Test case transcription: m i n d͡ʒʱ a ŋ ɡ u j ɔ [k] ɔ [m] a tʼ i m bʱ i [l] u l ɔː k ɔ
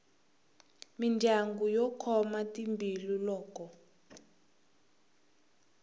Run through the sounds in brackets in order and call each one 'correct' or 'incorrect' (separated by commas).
incorrect, correct, correct